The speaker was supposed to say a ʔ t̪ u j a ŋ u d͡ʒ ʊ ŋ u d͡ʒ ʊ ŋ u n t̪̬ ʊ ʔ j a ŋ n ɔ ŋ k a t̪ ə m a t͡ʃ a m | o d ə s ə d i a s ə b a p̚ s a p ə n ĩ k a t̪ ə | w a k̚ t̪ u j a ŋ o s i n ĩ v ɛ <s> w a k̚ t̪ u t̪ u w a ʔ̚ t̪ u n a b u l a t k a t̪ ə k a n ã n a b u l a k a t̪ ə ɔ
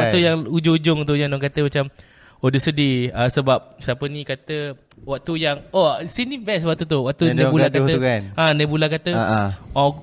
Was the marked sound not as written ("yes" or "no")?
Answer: no